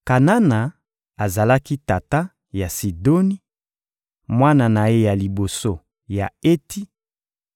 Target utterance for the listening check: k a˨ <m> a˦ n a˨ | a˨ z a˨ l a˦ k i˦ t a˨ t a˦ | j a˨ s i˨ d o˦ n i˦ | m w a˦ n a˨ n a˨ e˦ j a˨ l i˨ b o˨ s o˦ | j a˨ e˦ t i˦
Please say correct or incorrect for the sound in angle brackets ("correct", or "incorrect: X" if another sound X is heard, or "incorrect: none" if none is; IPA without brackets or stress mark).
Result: incorrect: n